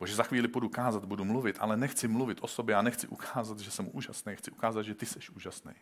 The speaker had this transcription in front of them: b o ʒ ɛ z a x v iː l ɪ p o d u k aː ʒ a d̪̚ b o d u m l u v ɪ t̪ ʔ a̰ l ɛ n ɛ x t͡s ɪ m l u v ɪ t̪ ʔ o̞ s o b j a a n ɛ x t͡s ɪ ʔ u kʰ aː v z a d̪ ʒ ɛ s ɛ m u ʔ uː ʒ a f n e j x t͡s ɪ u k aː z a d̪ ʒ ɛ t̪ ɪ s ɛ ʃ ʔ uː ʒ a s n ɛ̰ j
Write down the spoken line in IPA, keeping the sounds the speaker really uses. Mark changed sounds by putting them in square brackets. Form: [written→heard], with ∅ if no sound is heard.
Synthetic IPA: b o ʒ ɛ z a x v iː l ɪ p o d u k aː [ʒ→z] a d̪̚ b [o→u] d u m l u v ɪ t̪ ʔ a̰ l ɛ n ɛ x t͡s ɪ m l u v ɪ t̪ ʔ o̞ s o b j [a→ɛ] a n ɛ x t͡s ɪ ʔ u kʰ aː [v→∅] z a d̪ ʒ ɛ s ɛ m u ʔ uː ʒ a [f→s] n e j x t͡s ɪ u k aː z a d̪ ʒ ɛ t̪ ɪ s ɛ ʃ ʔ uː ʒ a s n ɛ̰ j